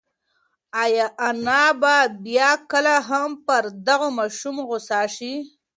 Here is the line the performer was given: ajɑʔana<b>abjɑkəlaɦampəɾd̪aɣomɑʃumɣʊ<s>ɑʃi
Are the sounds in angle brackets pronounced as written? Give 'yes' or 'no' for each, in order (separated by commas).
yes, yes